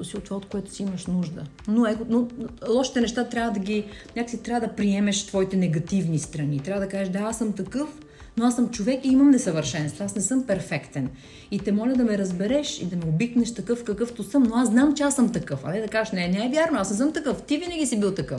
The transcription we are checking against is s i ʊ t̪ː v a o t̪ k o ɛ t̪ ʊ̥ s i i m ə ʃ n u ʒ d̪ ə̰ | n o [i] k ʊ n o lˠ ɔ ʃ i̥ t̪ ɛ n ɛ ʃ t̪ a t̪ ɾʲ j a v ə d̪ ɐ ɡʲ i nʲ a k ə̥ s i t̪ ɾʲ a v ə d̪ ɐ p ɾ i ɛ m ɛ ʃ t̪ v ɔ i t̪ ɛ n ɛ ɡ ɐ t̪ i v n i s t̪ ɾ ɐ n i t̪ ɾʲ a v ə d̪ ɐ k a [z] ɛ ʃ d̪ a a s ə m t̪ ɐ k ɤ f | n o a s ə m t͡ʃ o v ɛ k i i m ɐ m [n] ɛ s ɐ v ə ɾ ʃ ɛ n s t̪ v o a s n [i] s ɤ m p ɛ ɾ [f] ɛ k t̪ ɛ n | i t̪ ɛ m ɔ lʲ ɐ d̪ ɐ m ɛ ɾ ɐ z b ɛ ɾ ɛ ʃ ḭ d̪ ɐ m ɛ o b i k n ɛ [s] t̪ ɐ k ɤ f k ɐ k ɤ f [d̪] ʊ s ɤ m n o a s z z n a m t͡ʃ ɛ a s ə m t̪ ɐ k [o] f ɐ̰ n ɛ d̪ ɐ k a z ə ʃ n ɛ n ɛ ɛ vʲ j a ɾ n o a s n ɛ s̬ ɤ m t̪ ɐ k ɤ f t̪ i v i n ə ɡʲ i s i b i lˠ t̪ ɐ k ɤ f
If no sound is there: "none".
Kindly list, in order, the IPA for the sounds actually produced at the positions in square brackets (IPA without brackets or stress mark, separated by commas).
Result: ɛ, ʒ, n, ɛ, f, ʃ, t̪, ɤ